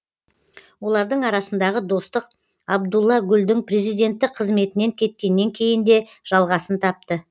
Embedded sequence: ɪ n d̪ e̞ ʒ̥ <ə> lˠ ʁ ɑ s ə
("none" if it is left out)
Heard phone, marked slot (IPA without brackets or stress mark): ɑ